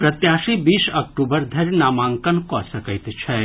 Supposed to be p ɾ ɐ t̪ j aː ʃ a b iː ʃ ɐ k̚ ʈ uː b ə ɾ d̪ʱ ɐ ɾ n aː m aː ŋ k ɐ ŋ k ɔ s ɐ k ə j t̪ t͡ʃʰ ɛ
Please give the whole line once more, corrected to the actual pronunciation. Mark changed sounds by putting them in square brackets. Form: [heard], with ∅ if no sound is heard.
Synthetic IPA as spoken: p ɾ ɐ t̪ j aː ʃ [i] b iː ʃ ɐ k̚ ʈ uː b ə ɾ d̪ʱ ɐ ɾ n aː m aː ŋ k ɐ [n] k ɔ s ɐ k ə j t̪ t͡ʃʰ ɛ